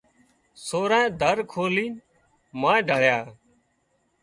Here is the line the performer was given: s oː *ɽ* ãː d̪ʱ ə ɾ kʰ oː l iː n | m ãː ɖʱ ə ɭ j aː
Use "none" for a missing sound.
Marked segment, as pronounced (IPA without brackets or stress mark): ɾ